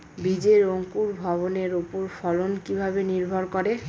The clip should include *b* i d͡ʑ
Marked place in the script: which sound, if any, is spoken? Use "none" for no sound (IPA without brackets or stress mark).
b